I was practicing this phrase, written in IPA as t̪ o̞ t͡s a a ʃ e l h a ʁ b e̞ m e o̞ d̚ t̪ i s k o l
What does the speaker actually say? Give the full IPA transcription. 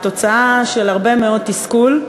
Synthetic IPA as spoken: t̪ o̞ t͡s a a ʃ e l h a ʁ b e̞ m e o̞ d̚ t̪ i s k u l